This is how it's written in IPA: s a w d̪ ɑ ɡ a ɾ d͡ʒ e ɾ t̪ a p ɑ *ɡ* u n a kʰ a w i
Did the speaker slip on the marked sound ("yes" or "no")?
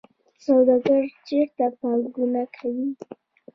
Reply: no